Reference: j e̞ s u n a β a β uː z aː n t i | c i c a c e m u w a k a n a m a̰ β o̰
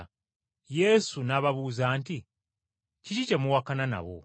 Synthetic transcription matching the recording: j e̞ s u n a β a β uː z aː n t i | c i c i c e m u w a k a n a n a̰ β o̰

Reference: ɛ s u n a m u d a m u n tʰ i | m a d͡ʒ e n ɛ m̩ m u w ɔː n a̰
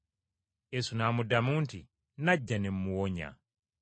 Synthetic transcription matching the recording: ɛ s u n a m u d a m u n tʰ i | n a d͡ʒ a n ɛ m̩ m u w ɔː ɲ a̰

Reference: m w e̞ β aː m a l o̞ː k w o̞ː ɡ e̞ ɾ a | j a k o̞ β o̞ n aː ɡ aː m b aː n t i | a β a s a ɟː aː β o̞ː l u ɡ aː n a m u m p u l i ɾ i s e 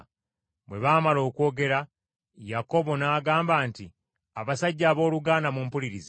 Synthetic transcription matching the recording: m w e̞ β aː m a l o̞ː k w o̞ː ɡ e̞ ɾ a | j a k o̞ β o̞ n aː ɡ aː m b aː n t i | a β a s a ɟː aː β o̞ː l u ɡ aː n a m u m p u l i ɾ i z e

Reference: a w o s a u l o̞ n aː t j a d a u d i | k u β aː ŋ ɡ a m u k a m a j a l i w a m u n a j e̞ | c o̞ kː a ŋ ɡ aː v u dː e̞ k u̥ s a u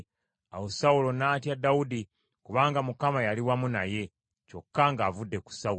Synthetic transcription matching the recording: a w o s a u l o̞ n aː t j a d a u d i | k u β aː ŋ ɡ a m u k a m a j a l i w a m u n a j e̞ | c o̞ kː a ŋ ɡ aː v u dː e̞ k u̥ s a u

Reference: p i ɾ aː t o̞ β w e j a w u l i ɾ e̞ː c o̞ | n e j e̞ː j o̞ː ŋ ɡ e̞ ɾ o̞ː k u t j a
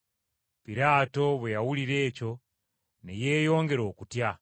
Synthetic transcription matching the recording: p i ɾ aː t o̞ β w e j a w u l i ɾ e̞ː c o̞ | n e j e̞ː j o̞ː ŋ ɡ e̞ ɾ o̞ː k u t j a

